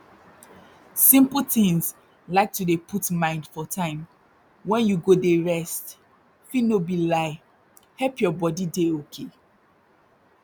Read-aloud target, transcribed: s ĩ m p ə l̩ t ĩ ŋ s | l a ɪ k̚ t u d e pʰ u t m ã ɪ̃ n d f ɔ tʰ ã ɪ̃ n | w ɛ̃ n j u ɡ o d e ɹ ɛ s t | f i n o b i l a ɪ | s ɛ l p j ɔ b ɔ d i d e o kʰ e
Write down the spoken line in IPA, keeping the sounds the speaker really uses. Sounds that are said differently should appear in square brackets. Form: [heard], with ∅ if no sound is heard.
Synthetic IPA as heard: s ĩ m p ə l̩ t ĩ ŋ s | l a ɪ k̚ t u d e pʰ u t m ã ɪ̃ n d f ɔ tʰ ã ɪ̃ [m] | w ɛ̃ n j u ɡ o d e ɹ ɛ s t | f i n o b i l a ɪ | [h] ɛ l p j ɔ b ɔ d i d e o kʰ e